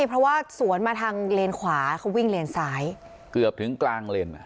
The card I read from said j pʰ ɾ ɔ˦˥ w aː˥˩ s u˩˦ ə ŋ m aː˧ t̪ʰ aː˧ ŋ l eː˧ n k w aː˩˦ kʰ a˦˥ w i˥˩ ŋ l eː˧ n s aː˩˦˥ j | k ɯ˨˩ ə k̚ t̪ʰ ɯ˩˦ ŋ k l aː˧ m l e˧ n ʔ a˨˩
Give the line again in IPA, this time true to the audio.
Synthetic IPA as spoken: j pʰ ɾ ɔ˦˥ w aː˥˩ s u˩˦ ə n m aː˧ t̪ʰ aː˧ ŋ l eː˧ n kʰ w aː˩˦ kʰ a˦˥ w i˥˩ ŋ l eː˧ n s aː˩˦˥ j | k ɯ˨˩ ə p̚ t̪ʰ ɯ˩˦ ŋ k l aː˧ ŋ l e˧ n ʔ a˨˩